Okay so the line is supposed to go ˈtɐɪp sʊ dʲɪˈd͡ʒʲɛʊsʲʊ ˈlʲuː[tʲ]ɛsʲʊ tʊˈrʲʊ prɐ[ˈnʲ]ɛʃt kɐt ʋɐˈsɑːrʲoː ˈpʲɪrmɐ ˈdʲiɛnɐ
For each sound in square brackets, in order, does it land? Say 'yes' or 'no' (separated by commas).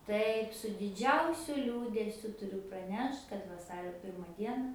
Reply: no, yes